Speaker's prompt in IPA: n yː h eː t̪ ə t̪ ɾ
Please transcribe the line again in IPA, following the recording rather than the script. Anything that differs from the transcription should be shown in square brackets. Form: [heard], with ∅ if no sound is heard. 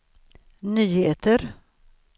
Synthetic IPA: n yː h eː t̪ ə [∅] ɾ